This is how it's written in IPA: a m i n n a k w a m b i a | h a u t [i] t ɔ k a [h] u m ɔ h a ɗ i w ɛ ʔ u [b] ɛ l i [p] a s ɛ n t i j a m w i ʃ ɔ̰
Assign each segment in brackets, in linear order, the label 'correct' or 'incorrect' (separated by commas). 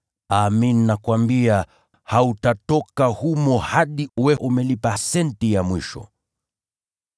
incorrect, correct, incorrect, correct